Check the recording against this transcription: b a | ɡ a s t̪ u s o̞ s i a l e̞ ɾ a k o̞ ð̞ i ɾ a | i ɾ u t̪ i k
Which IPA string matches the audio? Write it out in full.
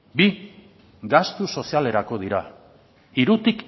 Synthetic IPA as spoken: b i | ɡ a s t̪ u s o̞ s i a l e̞ ɾ a k o̞ ð̞ i ɾ a | i ɾ u t̪ i k